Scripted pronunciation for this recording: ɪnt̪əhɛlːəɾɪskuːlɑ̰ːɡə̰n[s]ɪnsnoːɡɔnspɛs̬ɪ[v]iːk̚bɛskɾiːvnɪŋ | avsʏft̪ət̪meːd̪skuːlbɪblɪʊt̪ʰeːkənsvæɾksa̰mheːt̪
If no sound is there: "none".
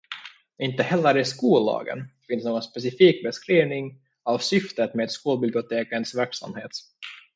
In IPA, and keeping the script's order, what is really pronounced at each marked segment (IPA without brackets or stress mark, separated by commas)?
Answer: f, f